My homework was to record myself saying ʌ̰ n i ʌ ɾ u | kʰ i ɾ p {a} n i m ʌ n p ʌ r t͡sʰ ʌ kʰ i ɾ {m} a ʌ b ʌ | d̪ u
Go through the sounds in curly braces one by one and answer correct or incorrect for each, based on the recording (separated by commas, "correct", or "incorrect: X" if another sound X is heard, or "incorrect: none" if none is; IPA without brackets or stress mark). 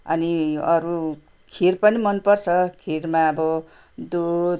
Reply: incorrect: ʌ, correct